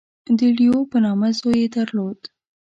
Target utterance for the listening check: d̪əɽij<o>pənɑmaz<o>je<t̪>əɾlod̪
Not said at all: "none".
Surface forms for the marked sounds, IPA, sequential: o, o, d̪

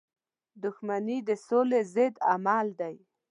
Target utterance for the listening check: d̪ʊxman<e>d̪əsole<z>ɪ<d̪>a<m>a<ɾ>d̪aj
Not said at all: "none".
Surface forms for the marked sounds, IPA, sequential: i, z, d̪, m, l

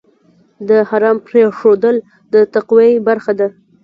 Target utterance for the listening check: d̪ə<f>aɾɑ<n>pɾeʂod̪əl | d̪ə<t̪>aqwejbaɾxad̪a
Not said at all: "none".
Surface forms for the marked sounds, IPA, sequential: h, m, t̪

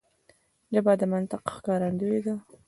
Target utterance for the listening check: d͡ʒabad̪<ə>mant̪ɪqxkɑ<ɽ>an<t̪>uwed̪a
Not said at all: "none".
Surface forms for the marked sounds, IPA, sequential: ə, ɾ, d̪

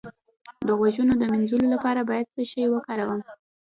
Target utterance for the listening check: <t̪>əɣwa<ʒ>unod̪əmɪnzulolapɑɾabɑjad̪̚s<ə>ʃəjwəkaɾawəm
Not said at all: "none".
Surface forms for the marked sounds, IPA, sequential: d̪, ʒ, ə

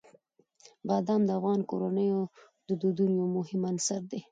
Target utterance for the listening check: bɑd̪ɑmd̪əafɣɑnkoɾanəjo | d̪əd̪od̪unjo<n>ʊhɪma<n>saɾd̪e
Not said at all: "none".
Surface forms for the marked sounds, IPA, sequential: m, n

